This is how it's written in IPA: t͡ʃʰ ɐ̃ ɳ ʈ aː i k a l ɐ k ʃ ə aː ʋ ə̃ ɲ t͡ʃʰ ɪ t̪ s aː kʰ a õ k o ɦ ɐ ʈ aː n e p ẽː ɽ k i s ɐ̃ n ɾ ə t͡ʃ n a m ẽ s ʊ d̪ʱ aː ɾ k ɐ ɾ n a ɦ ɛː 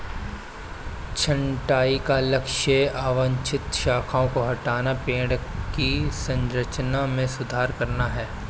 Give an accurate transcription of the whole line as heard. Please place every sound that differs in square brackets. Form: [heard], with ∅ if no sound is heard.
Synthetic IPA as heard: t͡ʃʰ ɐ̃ ɳ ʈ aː i k a l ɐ k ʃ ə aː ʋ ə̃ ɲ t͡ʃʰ ɪ t̪ [ʃ] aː kʰ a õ k o ɦ ɐ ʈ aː n [a] p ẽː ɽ k i s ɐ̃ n ɾ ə t͡ʃ n a m ẽ s ʊ d̪ʱ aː ɾ k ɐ ɾ n a ɦ ɛː